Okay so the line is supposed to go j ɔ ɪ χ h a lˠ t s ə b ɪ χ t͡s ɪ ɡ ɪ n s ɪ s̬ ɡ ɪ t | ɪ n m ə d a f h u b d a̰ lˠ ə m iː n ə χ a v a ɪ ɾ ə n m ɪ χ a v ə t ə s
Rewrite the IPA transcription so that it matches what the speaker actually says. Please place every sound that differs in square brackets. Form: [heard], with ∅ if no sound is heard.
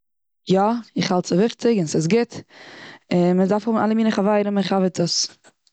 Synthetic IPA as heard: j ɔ ɪ χ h a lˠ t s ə [v] ɪ χ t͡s ɪ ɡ ɪ n s ɪ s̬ ɡ ɪ t | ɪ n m ə d a f h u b [n] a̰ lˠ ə m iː n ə χ a v a ɪ ɾ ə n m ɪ χ a v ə t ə s